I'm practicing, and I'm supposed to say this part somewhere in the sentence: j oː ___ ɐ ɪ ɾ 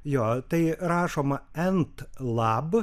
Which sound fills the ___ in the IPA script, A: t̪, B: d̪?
A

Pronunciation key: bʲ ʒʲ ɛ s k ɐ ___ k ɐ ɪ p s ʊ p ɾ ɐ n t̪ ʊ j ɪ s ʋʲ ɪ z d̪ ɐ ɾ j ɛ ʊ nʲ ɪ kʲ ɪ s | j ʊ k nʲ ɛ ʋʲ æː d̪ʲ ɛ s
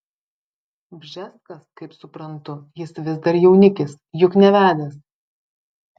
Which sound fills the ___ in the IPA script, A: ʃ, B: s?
B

